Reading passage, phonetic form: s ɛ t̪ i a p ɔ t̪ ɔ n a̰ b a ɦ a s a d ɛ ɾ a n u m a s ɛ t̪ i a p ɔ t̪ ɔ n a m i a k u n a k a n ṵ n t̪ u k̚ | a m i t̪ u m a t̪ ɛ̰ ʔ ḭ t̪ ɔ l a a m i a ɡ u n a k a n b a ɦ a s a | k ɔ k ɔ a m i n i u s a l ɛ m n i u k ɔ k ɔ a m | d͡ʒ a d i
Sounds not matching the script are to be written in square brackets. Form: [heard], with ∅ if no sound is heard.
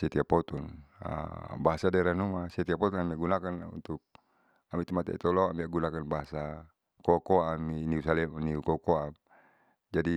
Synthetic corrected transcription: s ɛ t̪ i a p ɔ t̪ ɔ n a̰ b a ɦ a s a d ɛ ɾ a n u m a s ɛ t̪ i a p ɔ t̪ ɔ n a m i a [ɡ] u n a k a n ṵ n t̪ u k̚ | a m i t̪ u m a t̪ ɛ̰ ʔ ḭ t̪ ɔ l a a m i a ɡ u n a k a n b a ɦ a s a | k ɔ k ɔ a m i n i u s a l ɛ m n i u k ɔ k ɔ a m | d͡ʒ a d i